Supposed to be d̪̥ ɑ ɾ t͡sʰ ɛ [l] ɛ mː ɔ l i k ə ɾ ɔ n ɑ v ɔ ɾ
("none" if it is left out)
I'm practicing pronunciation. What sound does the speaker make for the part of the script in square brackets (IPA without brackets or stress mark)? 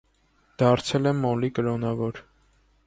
l